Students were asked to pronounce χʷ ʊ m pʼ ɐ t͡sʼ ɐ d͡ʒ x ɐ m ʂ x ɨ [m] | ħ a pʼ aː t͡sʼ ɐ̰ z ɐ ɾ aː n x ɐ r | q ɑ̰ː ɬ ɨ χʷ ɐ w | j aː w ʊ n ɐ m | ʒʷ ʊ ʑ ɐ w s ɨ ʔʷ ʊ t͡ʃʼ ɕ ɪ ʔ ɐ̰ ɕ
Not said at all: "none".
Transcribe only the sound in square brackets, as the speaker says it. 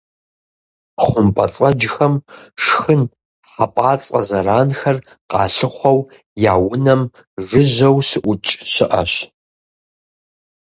n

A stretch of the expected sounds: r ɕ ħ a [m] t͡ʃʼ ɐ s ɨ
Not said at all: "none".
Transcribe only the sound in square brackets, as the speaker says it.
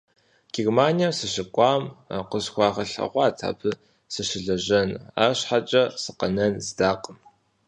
none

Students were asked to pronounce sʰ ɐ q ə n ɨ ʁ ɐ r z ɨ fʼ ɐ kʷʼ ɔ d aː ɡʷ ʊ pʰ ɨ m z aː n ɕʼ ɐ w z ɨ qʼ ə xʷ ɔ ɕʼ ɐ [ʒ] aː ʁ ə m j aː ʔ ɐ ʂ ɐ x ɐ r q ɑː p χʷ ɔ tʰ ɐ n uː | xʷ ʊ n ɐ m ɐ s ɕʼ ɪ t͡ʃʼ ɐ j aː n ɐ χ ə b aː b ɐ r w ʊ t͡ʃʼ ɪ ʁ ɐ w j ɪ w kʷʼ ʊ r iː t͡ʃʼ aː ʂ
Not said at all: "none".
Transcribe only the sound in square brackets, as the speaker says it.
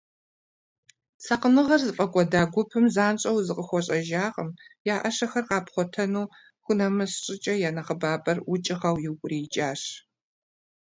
ʒ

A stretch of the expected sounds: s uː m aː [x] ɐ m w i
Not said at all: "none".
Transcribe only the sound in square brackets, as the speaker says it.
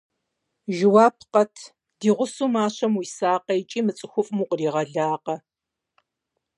ɕ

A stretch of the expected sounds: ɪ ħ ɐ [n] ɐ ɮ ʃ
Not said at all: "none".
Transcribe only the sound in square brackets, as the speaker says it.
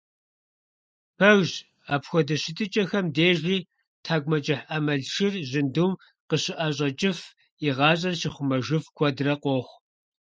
m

